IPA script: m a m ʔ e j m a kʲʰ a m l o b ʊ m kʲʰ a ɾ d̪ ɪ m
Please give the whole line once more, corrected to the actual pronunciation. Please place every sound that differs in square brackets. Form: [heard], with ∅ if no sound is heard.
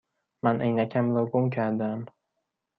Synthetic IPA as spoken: m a [n] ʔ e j [n] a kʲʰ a m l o [ɡ] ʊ m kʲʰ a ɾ d̪ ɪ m